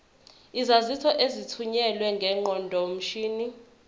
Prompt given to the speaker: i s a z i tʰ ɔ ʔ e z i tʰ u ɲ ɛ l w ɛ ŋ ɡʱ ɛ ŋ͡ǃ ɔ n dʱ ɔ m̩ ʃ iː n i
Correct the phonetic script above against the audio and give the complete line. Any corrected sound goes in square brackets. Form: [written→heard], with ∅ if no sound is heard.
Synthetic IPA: i [s→z] a z i tʰ ɔ ʔ e z i tʰ u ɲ ɛ l w ɛ ŋ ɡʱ ɛ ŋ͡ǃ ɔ n dʱ ɔ m̩ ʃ iː n i